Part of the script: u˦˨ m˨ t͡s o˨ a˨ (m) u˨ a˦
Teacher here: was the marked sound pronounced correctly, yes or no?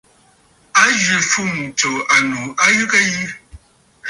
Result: no